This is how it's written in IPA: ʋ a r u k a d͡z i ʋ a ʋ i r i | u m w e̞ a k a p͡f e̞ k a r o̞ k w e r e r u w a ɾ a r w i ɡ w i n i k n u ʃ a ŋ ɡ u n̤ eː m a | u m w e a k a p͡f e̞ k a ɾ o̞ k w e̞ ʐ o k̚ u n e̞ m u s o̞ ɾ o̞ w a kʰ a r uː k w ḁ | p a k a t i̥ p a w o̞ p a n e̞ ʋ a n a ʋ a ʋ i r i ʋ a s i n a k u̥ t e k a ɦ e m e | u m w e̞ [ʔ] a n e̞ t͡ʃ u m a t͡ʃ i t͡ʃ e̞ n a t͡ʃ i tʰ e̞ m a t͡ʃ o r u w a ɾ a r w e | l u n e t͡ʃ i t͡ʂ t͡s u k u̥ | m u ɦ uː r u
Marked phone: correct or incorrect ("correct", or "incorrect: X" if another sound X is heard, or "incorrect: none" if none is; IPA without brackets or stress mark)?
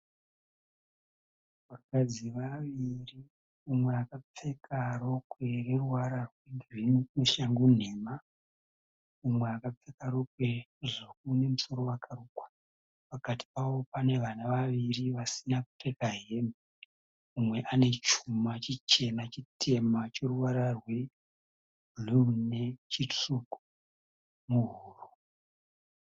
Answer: correct